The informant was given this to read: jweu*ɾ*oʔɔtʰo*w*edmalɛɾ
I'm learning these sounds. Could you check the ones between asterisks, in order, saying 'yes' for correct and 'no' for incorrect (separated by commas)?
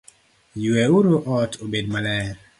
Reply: yes, no